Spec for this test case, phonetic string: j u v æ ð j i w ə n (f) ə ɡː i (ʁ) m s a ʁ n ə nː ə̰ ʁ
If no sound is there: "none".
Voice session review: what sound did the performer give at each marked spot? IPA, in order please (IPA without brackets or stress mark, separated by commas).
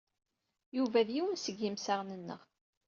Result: s, none